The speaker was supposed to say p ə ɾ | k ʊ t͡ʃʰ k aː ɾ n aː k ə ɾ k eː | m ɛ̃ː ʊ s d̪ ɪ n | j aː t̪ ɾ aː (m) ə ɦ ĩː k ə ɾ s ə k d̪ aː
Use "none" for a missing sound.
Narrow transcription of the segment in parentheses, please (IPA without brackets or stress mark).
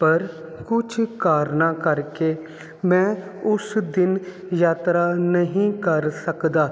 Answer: n